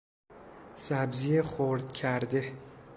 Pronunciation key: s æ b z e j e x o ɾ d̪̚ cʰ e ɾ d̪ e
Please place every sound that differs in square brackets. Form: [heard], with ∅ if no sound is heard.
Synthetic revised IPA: s æ b z [i] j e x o ɾ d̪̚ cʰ [æ] ɾ d̪ e